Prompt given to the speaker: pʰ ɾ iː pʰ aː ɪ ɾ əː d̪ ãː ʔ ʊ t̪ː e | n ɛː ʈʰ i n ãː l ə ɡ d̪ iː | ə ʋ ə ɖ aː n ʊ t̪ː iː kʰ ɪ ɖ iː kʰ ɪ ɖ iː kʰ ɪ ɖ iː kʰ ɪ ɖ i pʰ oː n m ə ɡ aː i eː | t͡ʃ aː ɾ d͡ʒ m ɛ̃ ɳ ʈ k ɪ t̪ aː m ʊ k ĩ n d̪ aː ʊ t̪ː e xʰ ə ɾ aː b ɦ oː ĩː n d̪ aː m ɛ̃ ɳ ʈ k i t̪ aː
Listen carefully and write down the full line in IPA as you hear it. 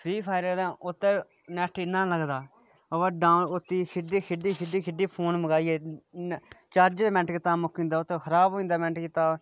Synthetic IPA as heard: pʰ ɾ iː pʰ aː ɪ ɾ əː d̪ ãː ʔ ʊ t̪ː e | n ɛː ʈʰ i n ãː l ə ɡ d̪ aː | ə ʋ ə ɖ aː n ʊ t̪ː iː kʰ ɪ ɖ iː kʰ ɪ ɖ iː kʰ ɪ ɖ iː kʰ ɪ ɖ iː pʰ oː n m ə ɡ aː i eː | t͡ʃ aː ɾ d͡ʒ m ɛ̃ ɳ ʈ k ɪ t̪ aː m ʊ k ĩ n d̪ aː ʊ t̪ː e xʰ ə ɾ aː b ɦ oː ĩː n d̪ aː m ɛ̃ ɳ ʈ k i t̪ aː